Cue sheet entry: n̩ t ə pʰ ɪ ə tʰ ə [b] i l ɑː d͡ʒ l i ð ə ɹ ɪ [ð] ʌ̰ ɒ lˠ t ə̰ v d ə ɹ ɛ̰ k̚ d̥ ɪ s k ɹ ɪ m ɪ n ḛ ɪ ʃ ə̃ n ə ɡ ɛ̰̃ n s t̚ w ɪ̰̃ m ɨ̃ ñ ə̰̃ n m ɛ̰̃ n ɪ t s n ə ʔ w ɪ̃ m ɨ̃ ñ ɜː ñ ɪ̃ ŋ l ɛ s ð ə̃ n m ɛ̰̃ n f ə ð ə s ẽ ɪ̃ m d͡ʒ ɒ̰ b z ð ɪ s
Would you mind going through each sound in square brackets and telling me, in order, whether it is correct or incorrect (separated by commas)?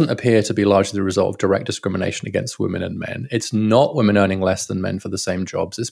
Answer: correct, incorrect